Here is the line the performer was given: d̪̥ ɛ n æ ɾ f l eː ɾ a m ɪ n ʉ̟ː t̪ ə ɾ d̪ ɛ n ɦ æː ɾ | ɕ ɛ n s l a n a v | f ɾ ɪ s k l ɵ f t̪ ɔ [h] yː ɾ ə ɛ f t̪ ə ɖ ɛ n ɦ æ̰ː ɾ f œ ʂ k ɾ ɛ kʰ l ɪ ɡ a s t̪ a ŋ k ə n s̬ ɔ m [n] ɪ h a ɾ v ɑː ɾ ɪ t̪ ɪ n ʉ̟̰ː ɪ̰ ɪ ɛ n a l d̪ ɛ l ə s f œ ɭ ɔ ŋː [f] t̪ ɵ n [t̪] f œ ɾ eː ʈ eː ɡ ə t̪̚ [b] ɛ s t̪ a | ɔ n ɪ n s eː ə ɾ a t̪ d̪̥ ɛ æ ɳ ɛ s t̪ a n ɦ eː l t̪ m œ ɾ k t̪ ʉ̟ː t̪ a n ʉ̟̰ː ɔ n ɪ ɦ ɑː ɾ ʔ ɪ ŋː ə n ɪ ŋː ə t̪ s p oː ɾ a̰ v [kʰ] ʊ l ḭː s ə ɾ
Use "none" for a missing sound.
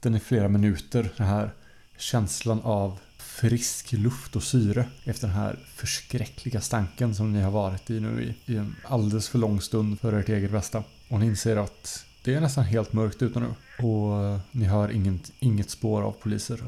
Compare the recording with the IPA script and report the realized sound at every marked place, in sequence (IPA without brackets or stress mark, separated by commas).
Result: s, n, s, d̪, b, pʰ